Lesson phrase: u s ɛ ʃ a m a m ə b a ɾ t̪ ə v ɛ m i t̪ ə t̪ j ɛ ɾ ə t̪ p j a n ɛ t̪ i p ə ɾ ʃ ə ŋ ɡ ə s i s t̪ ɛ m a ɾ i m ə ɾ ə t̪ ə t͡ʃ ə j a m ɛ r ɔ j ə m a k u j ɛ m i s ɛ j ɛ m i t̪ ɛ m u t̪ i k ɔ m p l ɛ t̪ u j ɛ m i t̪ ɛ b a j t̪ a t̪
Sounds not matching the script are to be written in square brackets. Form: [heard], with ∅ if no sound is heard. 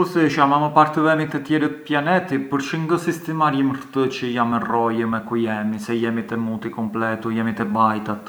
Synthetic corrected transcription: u s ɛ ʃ a m a m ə [p] a ɾ t̪ ə v ɛ m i t̪ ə t̪ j ɛ ɾ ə t̪ p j a n ɛ t̪ i p ə ɾ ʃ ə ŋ ɡ ə s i s t̪ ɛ m a ɾ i m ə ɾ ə t̪ ə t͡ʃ ə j a m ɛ r ɔ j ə m [ɛ] k u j ɛ m i s ɛ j ɛ m i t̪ ɛ m u t̪ i k ɔ m p l ɛ t̪ u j ɛ m i t̪ ɛ b a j t̪ a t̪

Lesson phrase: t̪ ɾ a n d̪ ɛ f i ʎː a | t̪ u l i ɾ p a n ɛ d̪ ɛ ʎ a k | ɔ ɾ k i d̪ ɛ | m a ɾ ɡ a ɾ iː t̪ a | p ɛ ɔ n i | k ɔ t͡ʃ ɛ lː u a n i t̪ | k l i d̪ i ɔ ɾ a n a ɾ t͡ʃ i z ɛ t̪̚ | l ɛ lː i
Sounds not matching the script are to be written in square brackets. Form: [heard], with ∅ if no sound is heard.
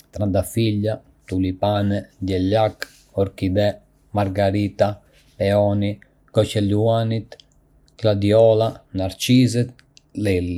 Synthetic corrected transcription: t̪ ɾ a n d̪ [a] f i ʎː a | t̪ u l i [∅] p a n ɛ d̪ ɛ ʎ a k | ɔ ɾ k i d̪ ɛ | m a ɾ ɡ a ɾ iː t̪ a | p ɛ ɔ n i | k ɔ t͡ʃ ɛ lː u a n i t̪ | k l [a] d̪ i ɔ [l] a n a ɾ t͡ʃ i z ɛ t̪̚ | l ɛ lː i

